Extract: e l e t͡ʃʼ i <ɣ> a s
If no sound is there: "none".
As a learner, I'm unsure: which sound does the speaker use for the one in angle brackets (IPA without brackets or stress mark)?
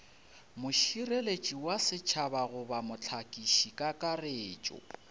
w